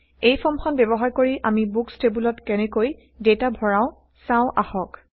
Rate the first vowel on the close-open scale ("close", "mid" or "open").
mid